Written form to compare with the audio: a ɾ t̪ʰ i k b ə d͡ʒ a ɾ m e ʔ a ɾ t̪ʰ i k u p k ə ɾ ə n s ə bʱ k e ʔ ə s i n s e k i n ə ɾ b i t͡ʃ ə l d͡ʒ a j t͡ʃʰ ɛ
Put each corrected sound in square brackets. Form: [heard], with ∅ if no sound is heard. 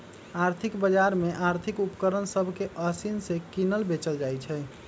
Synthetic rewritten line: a ɾ t̪ʰ i k b ə d͡ʒ a ɾ m e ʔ a ɾ t̪ʰ i k u p k ə ɾ ə n s ə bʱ k e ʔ ə s i n s e k i n ə [l] b [e] t͡ʃ ə l d͡ʒ a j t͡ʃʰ ɛ